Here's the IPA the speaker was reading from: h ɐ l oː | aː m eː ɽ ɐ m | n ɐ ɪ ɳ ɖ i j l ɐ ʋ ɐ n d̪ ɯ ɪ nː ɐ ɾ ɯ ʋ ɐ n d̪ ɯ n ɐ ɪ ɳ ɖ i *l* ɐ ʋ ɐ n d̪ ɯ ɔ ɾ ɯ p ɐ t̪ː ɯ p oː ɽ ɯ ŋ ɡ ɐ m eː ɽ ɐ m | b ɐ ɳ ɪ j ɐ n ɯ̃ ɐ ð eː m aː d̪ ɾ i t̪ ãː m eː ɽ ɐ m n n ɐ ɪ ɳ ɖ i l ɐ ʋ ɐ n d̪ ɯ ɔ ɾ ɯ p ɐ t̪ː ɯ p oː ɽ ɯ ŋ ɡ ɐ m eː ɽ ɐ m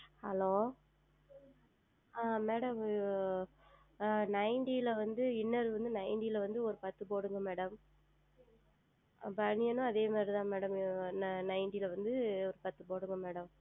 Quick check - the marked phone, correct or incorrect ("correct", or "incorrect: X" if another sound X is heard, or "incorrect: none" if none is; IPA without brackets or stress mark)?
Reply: correct